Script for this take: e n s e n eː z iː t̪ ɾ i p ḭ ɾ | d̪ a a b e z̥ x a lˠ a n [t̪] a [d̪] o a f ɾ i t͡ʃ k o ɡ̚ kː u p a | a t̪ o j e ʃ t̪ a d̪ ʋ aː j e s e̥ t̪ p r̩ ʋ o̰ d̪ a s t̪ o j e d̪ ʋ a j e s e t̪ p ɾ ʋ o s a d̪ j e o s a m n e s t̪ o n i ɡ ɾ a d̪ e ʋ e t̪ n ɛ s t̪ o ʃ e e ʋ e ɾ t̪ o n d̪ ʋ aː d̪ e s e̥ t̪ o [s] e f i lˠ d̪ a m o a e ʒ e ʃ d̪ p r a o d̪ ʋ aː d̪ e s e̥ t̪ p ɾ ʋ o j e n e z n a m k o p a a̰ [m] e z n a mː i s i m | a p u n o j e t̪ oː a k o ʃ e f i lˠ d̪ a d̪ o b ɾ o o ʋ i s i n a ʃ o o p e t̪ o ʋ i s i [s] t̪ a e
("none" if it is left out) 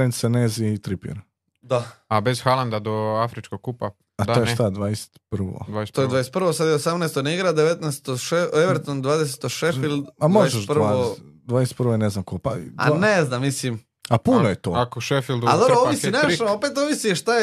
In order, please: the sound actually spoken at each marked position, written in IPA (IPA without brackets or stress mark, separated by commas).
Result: d̪, d̪, ʃ, n, ʃ